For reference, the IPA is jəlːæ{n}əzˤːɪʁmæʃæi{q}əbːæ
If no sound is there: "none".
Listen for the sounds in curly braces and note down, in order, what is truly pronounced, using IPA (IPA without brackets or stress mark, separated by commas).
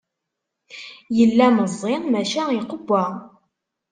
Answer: m, q